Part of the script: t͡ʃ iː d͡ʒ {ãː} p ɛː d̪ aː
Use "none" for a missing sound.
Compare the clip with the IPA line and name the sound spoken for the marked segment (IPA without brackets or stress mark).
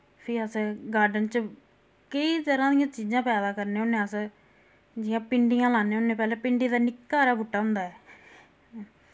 ãː